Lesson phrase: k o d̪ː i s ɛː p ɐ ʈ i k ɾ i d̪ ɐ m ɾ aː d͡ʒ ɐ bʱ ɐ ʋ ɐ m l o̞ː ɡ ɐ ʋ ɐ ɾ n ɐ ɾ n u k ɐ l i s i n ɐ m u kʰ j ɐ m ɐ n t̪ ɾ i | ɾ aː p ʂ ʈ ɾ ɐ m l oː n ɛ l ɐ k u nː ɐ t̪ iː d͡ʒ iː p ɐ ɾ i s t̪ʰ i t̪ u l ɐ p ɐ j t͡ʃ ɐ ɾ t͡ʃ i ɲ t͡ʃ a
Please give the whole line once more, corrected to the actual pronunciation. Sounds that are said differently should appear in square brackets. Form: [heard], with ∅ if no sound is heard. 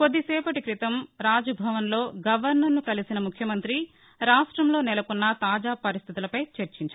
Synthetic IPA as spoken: k o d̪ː i s ɛː p ɐ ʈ i k ɾ i [t̪] ɐ m ɾ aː d͡ʒ ɐ bʱ ɐ ʋ ɐ [n] l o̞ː ɡ ɐ ʋ ɐ ɾ n ɐ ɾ n u k ɐ l i s i n ɐ m u kʰ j ɐ m ɐ n t̪ ɾ i | ɾ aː [∅] ʂ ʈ ɾ ɐ m l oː n ɛ l ɐ k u nː ɐ t̪ [aː] d͡ʒ [aː] p ɐ ɾ i s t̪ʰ i t̪ u l ɐ p ɐ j t͡ʃ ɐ ɾ t͡ʃ i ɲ t͡ʃ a

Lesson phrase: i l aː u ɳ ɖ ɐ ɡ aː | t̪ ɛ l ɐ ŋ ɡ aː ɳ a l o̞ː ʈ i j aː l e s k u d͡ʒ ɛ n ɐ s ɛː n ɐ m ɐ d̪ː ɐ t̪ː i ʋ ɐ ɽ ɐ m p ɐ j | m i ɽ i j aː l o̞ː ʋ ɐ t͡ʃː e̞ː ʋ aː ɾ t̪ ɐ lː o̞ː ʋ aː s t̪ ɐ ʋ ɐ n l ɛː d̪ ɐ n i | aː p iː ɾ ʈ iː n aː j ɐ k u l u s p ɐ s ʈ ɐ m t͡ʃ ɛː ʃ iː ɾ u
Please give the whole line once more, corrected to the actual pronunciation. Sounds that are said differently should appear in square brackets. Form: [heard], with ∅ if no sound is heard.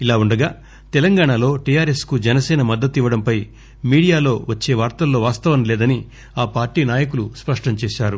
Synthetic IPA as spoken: i l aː u ɳ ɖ ɐ ɡ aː | t̪ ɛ l ɐ ŋ ɡ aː ɳ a l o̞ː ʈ i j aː [ɾ] e s k u d͡ʒ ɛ n ɐ s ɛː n ɐ m ɐ d̪ː ɐ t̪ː i ʋ ɐ ɽ ɐ m p ɐ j | m [iː] ɽ i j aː l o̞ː ʋ ɐ t͡ʃː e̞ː ʋ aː ɾ t̪ ɐ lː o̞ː ʋ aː s t̪ ɐ ʋ ɐ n l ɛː d̪ ɐ n i | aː p [aː] ɾ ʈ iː n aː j ɐ k u l u s p ɐ [ʂ] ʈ ɐ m t͡ʃ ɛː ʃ [aː] ɾ u

